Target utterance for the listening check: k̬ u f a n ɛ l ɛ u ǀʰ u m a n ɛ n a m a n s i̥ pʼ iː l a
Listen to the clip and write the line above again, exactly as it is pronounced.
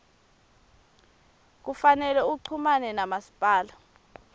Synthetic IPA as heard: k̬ u f a n ɛ l ɛ u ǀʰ u m a n ɛ n a m a s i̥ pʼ aː l a

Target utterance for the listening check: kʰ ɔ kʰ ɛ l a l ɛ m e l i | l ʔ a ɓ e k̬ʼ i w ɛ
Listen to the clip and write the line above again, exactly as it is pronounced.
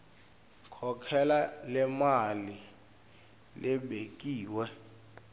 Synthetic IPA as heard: kʰ ɔ kʰ ɛ l a l ɛ m a l i | l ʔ ɛ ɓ e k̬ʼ iː w ɛ

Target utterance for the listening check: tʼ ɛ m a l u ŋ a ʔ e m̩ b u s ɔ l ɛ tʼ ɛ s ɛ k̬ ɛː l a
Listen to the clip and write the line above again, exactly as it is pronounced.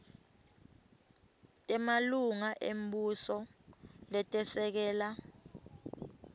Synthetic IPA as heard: tʼ ɛ m a l u ŋ a ʔ e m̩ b u s ɔ l ɛ tʼ ɛ s ɛ k̬ ɛː l a

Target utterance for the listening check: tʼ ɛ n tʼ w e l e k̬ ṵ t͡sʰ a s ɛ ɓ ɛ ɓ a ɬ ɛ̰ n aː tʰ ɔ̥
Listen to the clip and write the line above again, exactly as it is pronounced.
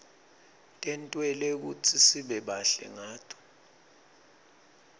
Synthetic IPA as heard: tʼ ɛ n tʼ w ɛ l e k̬ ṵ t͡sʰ i s i ɓ ɛ ɓ a ɬ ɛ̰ ŋ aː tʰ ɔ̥

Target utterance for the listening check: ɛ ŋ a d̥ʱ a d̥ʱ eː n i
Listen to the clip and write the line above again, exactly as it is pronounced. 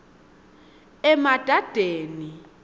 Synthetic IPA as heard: ɛ m a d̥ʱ a d̥ʱ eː n i

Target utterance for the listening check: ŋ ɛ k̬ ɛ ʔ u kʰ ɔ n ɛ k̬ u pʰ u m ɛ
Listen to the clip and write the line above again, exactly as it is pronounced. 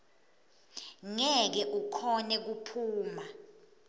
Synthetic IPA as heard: ŋ ɛ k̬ ɛ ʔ u kʰ ɔ n ɛ k̬ u pʰ uː m a

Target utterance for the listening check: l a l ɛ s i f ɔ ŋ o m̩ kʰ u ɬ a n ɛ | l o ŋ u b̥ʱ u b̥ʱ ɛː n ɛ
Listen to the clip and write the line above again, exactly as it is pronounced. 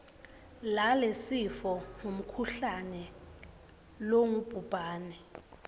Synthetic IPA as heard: l a l e s i f ɔ ŋ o m̩ kʰ u ɬ a n ɛ | l o ŋ u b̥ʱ u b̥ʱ aː n ɛ

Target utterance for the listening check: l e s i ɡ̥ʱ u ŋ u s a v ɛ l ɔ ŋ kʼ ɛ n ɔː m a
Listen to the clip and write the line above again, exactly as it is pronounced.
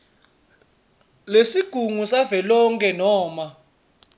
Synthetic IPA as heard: l e s i ɡ̥ʱ u ŋ u s a v ɛ l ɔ ŋ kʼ ɛ n ɔː m a

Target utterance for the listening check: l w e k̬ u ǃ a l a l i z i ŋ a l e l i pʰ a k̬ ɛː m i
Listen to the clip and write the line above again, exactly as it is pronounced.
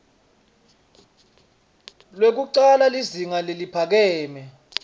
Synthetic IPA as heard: l w e k̬ u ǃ a l a l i z i ŋ a l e l i pʰ a k̬ ɛː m ɛ

